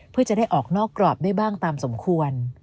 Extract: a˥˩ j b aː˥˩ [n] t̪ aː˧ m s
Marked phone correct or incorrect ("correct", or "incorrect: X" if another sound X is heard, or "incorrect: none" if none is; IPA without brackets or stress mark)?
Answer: incorrect: ŋ